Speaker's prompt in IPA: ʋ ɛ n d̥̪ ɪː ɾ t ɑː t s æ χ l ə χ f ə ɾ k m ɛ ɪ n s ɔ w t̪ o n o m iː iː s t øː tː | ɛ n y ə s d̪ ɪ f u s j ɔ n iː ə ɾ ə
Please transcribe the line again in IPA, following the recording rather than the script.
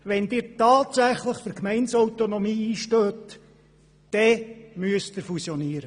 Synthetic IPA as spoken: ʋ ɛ n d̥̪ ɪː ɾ t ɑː t s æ χ l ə χ f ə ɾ k m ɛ ɪ n s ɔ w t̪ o n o m iː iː ʃ t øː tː | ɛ m y ə s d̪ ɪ f u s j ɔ n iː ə ɾ ə